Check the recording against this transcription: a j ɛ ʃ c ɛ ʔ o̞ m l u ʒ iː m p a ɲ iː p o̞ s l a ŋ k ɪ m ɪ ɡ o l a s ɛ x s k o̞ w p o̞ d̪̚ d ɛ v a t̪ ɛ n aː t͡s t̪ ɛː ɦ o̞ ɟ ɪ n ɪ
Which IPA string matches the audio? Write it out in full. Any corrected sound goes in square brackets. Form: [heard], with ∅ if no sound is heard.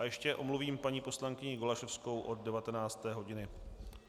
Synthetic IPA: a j ɛ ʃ c ɛ ʔ o̞ m l u [v] iː m p a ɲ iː p o̞ s l a ŋ k ɪ [ɲ] ɪ ɡ o l a [ʃ] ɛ [f] s k o̞ w [ʔ] o̞ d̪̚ d ɛ v a t̪ ɛ n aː t͡s t̪ ɛː ɦ o̞ ɟ ɪ n ɪ